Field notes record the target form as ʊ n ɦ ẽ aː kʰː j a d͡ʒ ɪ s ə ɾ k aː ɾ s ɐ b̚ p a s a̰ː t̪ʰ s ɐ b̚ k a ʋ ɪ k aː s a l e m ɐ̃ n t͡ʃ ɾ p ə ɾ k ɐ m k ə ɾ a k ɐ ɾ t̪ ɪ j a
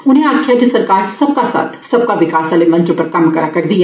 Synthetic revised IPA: ʊ n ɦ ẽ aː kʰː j a d͡ʒ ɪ s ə ɾ k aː ɾ s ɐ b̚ k a s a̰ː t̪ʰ s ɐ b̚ k a ʋ ɪ k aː s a l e m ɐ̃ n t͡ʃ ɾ p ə ɾ k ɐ m k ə ɾ a k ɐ ɾ d̪ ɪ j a